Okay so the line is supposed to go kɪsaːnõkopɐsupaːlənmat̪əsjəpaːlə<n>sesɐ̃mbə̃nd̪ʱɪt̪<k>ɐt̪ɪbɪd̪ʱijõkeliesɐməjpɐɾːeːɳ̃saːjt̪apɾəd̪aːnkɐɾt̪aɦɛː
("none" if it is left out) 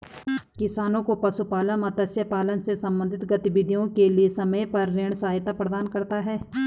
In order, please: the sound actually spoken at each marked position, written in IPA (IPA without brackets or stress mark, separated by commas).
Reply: n, ɡ